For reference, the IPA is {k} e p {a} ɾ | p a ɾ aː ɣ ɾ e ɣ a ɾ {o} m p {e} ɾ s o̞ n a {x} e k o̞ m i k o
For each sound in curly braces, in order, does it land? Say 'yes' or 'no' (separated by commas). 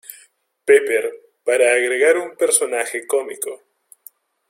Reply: no, no, no, yes, yes